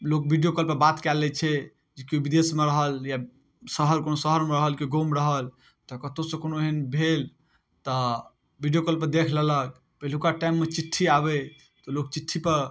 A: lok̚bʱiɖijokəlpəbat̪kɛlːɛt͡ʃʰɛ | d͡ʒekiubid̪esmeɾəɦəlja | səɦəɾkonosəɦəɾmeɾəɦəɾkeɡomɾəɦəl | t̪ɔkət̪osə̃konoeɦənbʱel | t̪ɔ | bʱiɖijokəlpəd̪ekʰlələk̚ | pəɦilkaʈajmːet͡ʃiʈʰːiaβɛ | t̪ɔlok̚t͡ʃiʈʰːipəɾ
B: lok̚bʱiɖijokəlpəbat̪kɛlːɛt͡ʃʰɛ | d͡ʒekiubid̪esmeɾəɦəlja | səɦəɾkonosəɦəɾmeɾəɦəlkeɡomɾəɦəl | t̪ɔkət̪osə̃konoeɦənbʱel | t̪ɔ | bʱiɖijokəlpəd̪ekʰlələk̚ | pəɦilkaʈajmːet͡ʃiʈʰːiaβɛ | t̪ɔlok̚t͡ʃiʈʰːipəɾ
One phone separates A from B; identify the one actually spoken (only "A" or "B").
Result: B